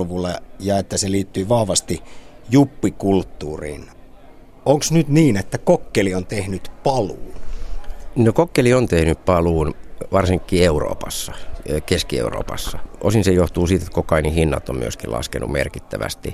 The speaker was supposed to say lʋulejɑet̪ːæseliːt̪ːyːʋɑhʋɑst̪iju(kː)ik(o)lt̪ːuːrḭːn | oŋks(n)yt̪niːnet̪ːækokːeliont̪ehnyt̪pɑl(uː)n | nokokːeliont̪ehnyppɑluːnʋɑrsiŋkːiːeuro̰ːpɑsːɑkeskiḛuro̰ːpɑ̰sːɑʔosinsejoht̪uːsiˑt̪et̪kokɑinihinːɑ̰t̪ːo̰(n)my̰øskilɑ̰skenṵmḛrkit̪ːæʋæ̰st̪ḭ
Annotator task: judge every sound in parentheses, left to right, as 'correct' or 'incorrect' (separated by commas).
incorrect, incorrect, correct, correct, incorrect